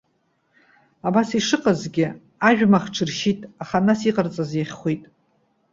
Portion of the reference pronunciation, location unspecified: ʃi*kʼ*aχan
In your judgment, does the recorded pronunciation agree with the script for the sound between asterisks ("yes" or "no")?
no